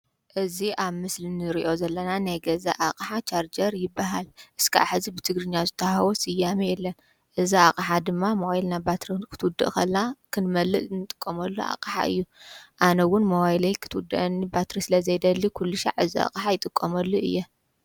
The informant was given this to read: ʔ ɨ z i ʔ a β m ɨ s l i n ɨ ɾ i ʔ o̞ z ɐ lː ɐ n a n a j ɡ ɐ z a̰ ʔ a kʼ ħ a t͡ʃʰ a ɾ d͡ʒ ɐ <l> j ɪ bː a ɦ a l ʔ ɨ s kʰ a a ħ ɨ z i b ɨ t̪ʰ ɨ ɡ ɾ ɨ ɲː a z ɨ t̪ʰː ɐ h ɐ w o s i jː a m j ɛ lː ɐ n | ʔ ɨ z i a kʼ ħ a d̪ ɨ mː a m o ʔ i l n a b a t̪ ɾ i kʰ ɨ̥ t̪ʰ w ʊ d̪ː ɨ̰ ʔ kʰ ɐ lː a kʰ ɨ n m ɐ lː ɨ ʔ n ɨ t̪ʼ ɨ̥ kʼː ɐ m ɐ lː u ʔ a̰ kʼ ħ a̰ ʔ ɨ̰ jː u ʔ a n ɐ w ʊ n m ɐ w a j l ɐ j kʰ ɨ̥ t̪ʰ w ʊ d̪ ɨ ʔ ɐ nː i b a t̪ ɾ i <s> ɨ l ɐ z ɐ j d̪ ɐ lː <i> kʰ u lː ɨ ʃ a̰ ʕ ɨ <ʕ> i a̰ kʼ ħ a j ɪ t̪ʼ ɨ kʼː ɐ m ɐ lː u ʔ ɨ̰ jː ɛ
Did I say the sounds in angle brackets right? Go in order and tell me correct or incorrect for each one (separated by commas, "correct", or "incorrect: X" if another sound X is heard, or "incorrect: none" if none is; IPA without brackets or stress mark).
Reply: incorrect: ɾ, correct, correct, incorrect: z